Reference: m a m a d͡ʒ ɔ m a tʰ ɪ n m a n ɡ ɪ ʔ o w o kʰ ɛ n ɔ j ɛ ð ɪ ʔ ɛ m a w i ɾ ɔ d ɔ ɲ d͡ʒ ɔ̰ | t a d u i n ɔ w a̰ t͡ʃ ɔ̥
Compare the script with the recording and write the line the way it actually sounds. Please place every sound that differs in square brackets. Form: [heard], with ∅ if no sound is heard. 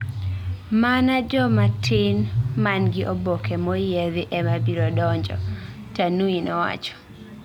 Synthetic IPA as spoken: m a [n] a d͡ʒ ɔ m a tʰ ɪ n m a n ɡ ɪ ʔ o [b] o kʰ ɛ [m] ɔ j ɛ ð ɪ ʔ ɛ m a [b] i ɾ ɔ d ɔ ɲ d͡ʒ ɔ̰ | t a [n] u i n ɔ w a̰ t͡ʃ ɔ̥